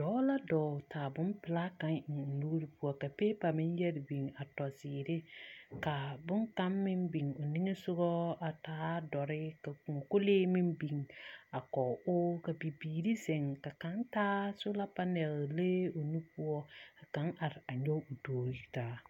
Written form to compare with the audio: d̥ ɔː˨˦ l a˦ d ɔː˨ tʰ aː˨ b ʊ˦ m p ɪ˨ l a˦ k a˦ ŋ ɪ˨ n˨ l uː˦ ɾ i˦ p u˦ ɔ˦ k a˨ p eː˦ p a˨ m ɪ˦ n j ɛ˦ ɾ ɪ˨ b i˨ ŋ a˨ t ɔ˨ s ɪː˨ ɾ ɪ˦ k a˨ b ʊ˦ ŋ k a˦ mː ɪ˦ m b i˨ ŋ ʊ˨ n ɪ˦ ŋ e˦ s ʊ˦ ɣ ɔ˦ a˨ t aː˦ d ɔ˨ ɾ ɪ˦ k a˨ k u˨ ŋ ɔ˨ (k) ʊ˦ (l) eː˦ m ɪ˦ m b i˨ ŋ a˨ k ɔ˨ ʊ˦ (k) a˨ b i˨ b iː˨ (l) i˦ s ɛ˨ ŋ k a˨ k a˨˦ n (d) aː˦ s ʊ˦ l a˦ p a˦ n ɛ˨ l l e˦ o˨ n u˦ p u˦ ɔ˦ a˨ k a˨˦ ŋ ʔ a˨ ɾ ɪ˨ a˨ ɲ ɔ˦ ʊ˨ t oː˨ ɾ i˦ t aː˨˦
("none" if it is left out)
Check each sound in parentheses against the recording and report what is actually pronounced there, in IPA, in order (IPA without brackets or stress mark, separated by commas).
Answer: k, l, k, ɾ, t